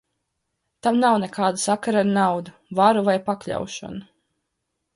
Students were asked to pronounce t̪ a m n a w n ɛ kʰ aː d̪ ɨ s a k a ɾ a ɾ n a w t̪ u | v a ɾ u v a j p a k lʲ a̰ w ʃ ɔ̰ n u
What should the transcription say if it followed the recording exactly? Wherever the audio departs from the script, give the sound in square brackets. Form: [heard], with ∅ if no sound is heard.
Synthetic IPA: t̪ a m n a w n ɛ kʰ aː d̪ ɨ s a k a ɾ a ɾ n a w [d̪] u | v a ɾ u v a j p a k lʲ a̰ w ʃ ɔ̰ n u